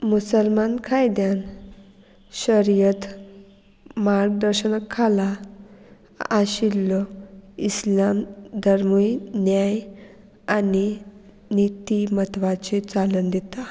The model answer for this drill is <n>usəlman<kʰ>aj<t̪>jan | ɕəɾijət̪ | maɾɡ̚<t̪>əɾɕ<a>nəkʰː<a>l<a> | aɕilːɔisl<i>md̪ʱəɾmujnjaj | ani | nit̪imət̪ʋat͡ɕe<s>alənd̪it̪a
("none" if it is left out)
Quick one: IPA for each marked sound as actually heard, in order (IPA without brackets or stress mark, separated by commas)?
m, kʰ, d̪, d̪, ə, a, a, a, t͡s